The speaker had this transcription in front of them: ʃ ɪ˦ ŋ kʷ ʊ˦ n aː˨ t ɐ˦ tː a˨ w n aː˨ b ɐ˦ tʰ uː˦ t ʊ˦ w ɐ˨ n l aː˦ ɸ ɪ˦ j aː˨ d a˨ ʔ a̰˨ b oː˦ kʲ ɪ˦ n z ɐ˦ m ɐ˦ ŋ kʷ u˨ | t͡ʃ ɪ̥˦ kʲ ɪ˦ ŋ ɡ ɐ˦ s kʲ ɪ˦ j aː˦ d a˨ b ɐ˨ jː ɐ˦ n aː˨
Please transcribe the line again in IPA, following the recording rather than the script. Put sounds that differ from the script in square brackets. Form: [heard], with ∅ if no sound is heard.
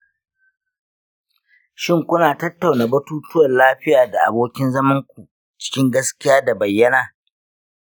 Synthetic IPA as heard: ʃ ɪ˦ ŋ kʷ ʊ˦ n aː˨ t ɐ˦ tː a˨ w n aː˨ b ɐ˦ [t] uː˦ t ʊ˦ w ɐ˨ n l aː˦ ɸ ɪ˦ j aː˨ d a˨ ʔ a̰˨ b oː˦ kʲ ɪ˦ n z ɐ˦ m ɐ˦ ŋ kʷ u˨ | t͡ʃ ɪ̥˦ kʲ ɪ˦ ŋ ɡ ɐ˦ s kʲ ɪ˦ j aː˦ d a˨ b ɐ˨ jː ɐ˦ n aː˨

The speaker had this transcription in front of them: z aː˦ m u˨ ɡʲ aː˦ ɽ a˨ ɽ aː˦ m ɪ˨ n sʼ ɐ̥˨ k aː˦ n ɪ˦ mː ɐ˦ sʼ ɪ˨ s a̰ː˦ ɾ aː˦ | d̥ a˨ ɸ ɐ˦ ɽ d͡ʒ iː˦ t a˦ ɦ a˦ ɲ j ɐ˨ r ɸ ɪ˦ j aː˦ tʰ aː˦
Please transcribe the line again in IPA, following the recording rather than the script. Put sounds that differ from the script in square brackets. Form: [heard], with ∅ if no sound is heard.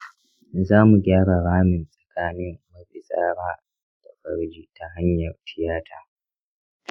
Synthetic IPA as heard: z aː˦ m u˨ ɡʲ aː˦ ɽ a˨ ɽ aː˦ m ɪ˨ n sʼ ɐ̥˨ k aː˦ n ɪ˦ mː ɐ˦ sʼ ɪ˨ s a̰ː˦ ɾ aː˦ | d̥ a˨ ɸ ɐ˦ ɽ d͡ʒ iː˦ t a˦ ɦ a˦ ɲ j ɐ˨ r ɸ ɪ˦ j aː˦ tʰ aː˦

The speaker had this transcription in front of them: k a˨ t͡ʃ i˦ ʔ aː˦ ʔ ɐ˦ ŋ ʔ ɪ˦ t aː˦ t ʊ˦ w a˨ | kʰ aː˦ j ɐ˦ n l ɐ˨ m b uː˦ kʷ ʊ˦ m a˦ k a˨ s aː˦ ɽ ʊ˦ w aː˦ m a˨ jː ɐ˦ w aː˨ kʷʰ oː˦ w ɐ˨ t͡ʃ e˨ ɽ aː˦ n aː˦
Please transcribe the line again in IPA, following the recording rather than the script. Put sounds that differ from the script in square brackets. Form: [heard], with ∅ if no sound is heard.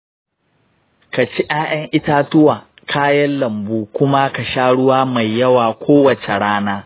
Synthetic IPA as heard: k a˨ t͡ʃ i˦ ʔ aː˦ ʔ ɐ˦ ŋ ʔ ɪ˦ t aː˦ t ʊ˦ w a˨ | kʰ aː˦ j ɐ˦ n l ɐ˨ m b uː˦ kʷ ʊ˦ m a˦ k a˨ [ʃ] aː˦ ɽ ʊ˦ w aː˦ m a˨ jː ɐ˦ w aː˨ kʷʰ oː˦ w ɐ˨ t͡ʃ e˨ ɽ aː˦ n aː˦

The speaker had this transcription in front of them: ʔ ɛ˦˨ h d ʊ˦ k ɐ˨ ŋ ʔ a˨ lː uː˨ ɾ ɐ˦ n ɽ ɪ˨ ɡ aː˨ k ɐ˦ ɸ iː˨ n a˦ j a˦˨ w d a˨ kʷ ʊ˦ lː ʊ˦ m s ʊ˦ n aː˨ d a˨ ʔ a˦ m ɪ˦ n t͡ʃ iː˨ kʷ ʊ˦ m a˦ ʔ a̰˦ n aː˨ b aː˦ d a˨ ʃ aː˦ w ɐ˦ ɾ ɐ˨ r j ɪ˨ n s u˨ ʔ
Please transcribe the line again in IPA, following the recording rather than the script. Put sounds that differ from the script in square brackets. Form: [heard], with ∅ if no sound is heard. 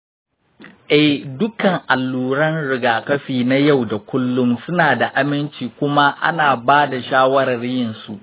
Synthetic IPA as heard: ʔ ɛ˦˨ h d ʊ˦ k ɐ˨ ŋ ʔ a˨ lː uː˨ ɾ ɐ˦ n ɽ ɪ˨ ɡ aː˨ k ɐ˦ ɸ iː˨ n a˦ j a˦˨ w d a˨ kʷ ʊ˦ lː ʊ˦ m s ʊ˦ n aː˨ d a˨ ʔ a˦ m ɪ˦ n t͡ʃ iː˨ kʷ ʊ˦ m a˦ ʔ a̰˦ n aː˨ b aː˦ d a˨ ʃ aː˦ w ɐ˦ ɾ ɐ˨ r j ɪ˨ n s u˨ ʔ

